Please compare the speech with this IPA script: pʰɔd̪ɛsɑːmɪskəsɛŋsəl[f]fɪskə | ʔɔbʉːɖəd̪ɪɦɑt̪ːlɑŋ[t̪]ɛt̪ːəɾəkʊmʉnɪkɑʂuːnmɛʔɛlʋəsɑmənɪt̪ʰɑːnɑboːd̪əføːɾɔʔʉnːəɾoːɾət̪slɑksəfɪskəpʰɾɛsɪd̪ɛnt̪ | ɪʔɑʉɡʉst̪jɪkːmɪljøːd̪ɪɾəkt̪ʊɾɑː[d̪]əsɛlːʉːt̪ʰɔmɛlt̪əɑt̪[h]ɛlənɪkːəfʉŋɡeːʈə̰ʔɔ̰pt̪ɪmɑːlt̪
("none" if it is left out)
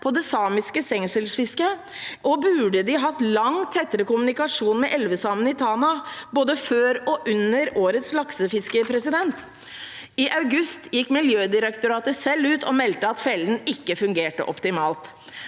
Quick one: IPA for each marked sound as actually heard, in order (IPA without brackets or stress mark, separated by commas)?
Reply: s, t̪ʰ, t̪, f